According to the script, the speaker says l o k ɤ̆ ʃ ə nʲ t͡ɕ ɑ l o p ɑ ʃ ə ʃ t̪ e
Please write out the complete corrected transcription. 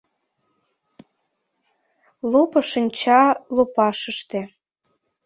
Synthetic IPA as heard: l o p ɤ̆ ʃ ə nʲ t͡ɕ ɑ l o p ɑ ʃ ə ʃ t̪ e